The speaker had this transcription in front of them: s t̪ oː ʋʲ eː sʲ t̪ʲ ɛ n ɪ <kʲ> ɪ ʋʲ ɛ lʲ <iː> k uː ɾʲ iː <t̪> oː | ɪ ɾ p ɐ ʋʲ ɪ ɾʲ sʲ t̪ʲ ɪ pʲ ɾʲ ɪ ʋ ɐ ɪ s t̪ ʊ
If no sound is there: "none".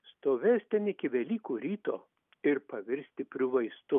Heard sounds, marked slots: kʲ, iː, t̪

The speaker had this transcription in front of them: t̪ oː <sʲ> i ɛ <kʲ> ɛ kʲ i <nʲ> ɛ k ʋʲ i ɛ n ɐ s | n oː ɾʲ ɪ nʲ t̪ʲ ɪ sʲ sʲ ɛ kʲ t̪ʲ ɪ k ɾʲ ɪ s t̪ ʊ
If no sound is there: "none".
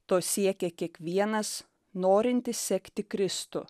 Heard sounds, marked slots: sʲ, kʲ, none

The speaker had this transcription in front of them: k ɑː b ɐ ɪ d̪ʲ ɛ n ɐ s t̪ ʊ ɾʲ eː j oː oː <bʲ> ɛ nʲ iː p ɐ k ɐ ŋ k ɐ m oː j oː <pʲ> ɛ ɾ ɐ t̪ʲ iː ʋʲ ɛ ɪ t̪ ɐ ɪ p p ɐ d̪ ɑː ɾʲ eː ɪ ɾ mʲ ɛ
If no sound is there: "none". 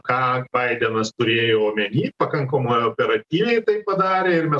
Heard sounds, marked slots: mʲ, pʲ

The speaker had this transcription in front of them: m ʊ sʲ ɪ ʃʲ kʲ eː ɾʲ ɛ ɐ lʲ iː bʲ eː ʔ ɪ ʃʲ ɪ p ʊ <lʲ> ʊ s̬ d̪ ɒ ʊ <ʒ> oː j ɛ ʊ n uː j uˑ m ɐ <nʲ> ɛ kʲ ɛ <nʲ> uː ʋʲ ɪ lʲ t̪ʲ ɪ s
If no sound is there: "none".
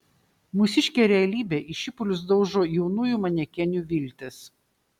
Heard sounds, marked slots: lʲ, ʒ, nʲ, nʲ

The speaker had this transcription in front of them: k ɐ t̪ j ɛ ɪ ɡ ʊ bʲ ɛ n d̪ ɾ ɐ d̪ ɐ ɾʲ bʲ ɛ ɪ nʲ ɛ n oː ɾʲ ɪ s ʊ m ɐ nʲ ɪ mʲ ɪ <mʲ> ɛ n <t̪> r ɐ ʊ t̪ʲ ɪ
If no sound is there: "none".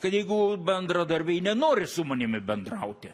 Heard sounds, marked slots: bʲ, d̪

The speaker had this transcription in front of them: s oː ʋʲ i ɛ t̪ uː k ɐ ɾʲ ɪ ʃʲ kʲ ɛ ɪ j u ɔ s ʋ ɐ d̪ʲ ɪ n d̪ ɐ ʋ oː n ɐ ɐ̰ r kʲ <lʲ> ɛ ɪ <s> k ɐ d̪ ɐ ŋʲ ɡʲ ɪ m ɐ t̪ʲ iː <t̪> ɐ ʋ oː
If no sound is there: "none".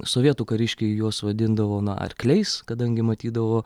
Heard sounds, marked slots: lʲ, s, d̪

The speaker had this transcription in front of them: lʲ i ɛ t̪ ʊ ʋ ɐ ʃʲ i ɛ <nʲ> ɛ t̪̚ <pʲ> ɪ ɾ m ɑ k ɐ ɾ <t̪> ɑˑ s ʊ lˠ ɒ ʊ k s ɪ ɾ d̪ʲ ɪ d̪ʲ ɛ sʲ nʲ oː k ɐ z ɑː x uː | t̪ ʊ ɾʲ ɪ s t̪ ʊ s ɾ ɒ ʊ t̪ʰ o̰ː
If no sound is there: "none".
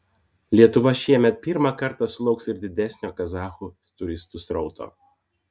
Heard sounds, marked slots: mʲ, pʲ, t̪

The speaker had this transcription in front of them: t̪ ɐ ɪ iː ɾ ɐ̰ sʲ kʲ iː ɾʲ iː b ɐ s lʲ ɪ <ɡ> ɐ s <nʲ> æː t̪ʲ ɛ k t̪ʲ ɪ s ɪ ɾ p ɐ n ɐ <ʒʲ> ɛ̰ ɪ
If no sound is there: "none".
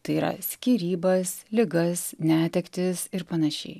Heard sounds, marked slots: ɡ, nʲ, ʃʲ

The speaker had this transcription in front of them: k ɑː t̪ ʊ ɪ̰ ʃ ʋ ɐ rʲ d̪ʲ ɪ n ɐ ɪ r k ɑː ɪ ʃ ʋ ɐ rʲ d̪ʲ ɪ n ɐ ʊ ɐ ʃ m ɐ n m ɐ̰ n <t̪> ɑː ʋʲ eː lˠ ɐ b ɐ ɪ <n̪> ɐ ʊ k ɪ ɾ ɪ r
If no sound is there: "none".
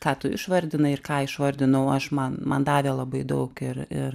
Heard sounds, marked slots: d̪, d̪

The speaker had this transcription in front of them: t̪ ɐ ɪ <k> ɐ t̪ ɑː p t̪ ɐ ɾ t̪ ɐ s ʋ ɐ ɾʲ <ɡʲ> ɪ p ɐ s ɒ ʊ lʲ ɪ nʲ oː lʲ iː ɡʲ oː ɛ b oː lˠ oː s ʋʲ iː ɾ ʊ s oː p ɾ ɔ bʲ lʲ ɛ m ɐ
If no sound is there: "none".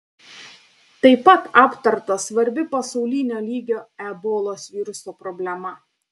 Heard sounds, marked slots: p, bʲ

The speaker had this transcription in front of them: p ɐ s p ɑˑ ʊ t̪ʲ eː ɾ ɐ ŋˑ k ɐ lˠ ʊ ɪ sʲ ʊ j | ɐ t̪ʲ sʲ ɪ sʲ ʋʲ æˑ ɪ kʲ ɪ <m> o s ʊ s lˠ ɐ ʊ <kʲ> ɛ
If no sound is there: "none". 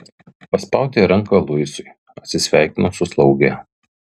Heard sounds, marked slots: n, ɡʲ

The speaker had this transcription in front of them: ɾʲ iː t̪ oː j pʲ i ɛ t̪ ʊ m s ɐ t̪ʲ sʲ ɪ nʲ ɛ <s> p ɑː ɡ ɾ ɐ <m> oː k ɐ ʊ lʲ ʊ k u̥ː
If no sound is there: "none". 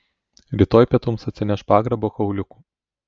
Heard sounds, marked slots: ʃ, b

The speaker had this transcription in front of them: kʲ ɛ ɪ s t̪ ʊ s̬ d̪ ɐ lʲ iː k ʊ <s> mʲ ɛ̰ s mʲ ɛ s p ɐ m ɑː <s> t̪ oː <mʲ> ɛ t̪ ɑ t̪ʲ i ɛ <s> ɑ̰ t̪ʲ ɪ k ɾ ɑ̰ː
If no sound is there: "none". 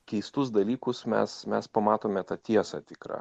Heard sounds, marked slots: s, none, mʲ, s

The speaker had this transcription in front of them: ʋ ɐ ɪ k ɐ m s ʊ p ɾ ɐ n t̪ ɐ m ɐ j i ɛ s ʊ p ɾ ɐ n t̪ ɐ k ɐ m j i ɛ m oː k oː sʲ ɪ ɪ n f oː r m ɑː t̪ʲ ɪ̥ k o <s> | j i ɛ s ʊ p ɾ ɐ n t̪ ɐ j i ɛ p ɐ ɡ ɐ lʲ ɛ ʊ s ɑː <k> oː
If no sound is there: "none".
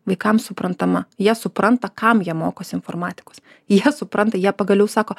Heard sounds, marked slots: s, k

